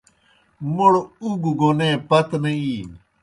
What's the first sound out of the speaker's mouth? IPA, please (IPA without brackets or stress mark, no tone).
m